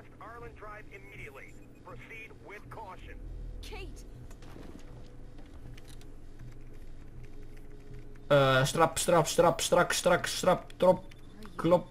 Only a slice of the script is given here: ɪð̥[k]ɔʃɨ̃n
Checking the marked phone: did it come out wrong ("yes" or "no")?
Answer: yes